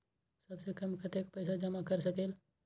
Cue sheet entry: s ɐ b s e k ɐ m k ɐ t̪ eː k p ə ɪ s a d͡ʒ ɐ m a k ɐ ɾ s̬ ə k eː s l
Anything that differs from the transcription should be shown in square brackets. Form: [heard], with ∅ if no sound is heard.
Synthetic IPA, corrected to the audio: s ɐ b s e k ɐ m k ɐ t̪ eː k p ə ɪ s a d͡ʒ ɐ m a k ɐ ɾ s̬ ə k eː [∅] l